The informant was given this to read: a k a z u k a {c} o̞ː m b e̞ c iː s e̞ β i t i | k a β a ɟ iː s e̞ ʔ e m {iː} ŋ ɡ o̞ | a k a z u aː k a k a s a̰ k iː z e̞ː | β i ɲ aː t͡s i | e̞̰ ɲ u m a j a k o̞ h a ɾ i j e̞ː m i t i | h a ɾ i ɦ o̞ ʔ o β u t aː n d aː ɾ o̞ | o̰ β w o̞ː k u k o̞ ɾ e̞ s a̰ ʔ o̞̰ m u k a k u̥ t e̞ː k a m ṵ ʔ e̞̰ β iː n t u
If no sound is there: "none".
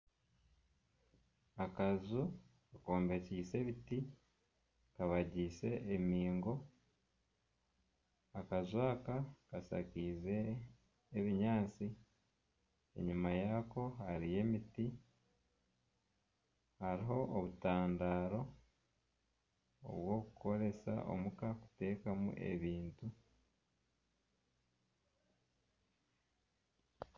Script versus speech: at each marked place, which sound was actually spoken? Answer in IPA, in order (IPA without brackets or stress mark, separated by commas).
k, iː